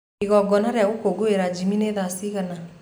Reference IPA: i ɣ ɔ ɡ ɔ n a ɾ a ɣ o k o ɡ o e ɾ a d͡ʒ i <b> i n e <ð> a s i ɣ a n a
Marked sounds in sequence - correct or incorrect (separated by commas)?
incorrect, correct